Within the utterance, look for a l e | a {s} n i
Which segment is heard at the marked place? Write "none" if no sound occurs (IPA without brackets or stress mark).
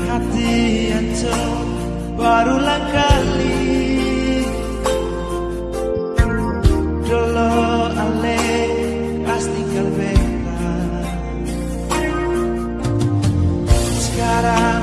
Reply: s